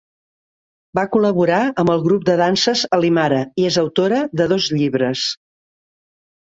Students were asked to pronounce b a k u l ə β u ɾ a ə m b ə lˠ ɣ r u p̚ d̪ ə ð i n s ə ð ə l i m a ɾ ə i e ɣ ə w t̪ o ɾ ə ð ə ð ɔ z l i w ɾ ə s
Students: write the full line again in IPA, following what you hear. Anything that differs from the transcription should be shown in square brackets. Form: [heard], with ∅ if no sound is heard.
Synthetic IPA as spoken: b a k u l ə β u ɾ a ə m b ə lˠ ɣ [ɾ] u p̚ d̪ ə ð [a] n s ə [z] ə l i m a ɾ ə i e [z] ə w t̪ o ɾ ə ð ə ð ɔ z [ʎ] i [β] ɾ ə s